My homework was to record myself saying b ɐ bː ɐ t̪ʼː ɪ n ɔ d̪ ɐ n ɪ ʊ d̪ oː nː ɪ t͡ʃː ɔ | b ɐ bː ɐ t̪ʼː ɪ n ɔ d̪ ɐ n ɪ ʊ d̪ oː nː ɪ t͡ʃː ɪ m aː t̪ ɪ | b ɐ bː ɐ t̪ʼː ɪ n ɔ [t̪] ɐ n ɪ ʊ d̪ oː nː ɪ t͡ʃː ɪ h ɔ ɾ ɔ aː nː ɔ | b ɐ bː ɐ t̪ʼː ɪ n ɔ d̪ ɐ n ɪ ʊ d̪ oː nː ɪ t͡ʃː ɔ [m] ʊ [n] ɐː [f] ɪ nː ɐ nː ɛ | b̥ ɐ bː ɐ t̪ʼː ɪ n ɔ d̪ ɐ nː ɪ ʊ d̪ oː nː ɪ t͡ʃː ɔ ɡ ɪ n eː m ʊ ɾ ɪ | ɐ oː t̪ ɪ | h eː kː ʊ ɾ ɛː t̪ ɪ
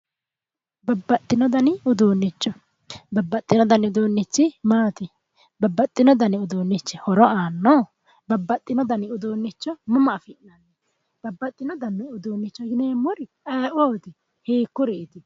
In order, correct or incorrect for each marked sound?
incorrect: d̪, correct, incorrect: m, correct

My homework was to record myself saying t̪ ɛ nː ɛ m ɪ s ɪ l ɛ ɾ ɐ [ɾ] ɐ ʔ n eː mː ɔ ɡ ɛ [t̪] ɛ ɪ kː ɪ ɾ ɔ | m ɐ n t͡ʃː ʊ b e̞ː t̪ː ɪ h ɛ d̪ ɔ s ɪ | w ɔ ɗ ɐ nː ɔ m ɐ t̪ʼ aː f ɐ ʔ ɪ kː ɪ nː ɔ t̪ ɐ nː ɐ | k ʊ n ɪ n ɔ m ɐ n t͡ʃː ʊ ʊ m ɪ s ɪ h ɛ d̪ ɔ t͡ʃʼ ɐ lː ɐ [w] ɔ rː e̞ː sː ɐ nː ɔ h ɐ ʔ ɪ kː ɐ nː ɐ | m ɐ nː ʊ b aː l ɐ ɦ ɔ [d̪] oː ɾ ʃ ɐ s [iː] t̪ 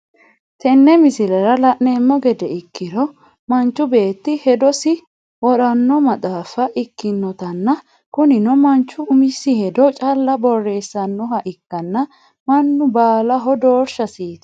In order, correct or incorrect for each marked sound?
incorrect: l, incorrect: d̪, incorrect: b, correct, correct

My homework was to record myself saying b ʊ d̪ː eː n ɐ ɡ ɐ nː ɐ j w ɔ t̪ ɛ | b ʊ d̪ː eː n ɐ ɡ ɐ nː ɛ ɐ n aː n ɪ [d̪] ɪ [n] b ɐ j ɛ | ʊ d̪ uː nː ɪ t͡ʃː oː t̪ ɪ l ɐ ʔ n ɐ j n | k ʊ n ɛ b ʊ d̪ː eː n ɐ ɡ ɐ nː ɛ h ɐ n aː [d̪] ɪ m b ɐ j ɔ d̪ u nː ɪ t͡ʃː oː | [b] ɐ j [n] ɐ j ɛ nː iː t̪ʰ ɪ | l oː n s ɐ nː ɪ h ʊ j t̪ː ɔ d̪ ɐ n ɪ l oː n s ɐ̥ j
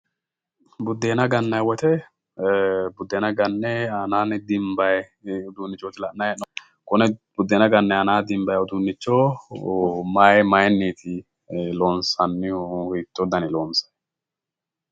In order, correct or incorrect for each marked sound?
correct, incorrect: m, correct, incorrect: m, incorrect: m

